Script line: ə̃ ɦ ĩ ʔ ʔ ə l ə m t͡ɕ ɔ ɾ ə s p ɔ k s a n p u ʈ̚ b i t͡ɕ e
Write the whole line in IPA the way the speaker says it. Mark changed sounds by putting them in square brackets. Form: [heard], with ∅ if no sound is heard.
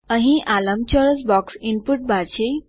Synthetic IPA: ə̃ ɦ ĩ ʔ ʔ [a] l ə m t͡ɕ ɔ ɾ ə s [b] ɔ k s [i] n p u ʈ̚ b [a] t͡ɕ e